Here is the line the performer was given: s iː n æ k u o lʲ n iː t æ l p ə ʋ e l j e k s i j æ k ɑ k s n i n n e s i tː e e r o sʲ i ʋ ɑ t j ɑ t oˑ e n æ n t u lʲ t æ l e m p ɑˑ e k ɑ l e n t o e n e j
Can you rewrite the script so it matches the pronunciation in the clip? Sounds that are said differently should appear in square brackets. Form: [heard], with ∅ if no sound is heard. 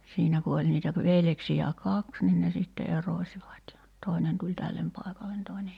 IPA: s iː n æ k u o lʲ n iː t æ [∅] p ə ʋ e l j e k s i j æ k ɑ k s n i n n e s i tː e e r o sʲ i ʋ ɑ t j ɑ t oˑ e n [e] n t u lʲ t æ [lː] e m p ɑˑ e k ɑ l e n t o e n e j